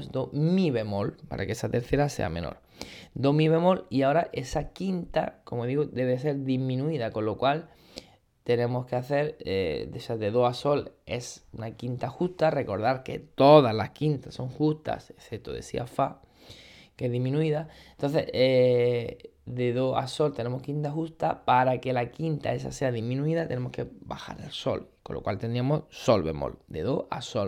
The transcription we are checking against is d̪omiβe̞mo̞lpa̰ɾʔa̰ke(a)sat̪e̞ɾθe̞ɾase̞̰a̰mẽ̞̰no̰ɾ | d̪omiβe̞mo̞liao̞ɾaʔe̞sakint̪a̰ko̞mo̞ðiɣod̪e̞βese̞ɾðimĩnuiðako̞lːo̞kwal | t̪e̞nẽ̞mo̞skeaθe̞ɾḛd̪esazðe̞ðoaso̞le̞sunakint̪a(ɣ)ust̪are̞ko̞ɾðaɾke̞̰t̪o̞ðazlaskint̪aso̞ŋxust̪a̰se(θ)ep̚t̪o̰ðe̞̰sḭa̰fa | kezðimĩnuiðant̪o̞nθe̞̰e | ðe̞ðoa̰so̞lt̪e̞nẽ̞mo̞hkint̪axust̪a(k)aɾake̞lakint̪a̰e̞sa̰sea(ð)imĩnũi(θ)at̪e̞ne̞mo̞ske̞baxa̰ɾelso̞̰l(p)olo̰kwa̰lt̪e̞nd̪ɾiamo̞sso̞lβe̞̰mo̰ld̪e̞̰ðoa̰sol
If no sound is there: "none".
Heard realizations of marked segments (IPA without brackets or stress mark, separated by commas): e, x, θ, p, ð, ð, k